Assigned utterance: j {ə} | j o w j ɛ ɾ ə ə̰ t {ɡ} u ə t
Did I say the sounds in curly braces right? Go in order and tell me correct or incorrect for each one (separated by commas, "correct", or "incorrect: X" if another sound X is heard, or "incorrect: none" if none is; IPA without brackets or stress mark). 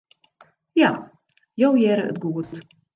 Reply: incorrect: a, correct